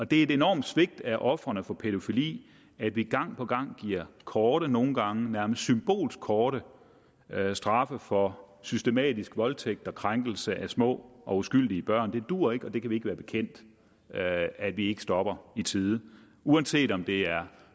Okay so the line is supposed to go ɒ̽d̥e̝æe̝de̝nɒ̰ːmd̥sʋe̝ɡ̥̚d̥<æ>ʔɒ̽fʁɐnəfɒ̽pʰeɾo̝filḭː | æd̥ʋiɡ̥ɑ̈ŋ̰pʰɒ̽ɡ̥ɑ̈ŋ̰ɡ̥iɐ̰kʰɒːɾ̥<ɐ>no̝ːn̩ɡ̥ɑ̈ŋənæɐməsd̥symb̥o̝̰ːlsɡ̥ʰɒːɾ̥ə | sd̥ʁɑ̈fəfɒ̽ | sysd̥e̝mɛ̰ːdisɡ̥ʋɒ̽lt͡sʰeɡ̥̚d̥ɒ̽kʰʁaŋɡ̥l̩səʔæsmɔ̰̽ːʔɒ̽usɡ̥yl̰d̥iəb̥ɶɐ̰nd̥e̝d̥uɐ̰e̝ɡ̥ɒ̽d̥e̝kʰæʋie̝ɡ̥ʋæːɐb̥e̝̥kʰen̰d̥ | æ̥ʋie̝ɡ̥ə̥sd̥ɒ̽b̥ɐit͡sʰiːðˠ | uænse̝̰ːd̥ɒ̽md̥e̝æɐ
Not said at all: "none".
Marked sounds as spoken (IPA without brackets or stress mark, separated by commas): æ, ə